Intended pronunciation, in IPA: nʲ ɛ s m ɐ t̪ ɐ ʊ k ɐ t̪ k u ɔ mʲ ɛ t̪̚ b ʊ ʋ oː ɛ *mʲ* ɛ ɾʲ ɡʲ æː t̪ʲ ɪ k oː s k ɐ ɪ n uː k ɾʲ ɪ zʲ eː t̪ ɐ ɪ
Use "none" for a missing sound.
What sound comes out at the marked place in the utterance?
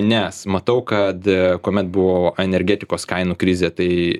nʲ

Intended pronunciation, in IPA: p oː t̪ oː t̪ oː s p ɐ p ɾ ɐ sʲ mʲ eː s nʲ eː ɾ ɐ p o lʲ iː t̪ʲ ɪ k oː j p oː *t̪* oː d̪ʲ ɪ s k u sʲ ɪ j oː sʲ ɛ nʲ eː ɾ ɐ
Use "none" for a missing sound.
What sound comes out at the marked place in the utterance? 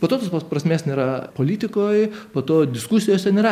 t̪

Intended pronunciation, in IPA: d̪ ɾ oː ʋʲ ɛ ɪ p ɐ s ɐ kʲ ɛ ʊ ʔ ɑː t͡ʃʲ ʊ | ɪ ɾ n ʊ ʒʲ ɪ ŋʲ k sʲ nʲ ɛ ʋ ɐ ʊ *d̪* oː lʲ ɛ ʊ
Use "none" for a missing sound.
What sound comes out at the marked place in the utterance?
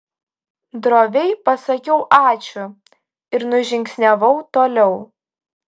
t̪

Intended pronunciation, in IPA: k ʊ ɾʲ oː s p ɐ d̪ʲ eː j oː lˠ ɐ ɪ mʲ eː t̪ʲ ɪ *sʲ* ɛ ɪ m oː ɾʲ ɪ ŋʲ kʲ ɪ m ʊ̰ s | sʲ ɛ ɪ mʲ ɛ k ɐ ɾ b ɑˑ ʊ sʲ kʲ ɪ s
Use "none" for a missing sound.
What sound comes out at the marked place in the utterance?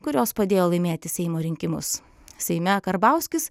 sʲ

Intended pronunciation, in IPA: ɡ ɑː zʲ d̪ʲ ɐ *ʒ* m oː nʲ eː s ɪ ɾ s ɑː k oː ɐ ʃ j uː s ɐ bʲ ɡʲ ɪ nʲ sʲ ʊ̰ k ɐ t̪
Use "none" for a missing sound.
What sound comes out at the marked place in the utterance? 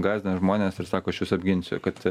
ʒ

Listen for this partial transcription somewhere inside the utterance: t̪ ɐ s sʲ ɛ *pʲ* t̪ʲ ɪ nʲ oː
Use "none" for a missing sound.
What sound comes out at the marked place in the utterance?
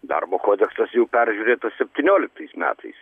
pʲ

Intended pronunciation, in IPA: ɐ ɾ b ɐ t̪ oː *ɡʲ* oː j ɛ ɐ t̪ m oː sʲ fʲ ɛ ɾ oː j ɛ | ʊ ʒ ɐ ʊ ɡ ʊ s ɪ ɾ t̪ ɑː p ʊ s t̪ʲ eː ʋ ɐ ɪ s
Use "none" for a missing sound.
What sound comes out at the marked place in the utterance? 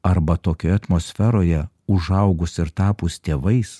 kʲ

